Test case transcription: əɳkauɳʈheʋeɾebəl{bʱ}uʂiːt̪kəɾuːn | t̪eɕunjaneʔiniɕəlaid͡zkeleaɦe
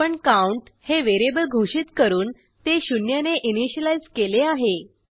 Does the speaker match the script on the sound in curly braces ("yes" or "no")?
no